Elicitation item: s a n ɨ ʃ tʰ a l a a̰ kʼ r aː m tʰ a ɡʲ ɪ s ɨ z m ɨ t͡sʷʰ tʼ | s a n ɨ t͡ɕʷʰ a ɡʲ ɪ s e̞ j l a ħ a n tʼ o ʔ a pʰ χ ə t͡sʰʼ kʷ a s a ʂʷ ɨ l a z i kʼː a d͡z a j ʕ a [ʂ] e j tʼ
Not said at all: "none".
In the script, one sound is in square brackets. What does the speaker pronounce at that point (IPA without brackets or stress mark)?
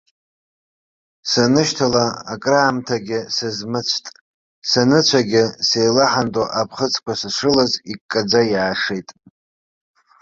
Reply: ʂ